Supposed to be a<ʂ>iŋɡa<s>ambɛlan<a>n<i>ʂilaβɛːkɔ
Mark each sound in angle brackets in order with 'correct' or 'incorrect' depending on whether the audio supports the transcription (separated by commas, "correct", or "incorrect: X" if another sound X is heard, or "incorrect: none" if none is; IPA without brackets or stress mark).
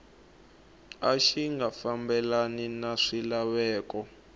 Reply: incorrect: ʃ, incorrect: f, incorrect: i, incorrect: a